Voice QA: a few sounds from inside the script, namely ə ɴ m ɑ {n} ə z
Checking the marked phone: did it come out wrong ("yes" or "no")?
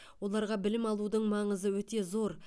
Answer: yes